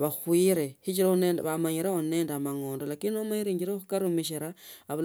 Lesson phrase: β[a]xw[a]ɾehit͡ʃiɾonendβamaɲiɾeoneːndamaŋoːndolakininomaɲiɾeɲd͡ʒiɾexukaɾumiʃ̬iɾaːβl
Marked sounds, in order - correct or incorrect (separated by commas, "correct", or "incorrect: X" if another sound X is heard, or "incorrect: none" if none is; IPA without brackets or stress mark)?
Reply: correct, incorrect: i